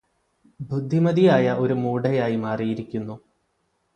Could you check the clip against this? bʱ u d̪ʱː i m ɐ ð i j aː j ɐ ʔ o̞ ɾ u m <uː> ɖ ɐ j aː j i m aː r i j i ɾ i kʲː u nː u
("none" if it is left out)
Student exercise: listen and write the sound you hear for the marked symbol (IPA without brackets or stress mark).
uː